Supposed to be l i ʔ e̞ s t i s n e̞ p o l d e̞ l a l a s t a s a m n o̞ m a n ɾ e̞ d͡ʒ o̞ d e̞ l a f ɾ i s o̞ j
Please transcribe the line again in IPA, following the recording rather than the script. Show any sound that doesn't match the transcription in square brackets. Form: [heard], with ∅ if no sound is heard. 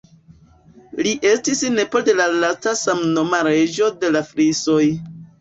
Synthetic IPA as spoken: l i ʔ e̞ s t i s n e̞ p o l d e̞ l a l a s t a s a m n o̞ m a [∅] ɾ e̞ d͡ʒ o̞ d e̞ l a f ɾ i s o̞ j